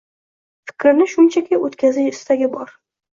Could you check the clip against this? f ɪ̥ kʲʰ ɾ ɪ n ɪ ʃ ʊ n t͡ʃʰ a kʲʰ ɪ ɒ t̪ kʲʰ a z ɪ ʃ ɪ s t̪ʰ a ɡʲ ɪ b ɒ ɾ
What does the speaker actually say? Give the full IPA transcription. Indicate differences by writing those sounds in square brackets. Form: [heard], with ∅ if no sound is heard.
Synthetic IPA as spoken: f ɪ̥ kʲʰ ɾ ɪ n ɪ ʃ ʊ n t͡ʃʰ a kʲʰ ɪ [o] t̪ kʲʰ a z ɪ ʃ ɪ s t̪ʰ a ɡʲ ɪ b ɒ ɾ